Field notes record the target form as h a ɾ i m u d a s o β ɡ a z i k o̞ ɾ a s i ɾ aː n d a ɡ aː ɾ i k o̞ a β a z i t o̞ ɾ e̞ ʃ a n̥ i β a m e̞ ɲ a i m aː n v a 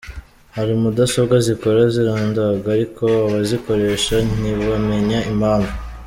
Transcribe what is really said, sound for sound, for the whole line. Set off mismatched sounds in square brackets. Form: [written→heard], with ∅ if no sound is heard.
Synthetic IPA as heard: h a ɾ i m u d a s o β ɡ a z i k o̞ ɾ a [s→z] i ɾ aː n d a ɡ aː ɾ i k o̞ a β a z i [t→k] o̞ ɾ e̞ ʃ a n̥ i β a m e̞ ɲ a i m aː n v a